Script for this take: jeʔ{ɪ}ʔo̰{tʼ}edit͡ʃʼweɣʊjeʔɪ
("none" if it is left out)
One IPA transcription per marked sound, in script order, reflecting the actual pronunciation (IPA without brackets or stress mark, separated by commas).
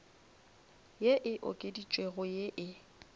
ɪ, kʼ